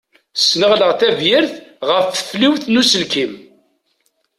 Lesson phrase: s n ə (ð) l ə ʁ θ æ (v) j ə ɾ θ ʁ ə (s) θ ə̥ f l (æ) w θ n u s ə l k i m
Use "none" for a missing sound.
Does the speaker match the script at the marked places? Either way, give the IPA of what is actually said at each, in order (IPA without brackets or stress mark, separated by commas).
ʁ, v, f, i